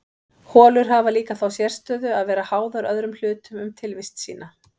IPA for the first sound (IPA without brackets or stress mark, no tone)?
h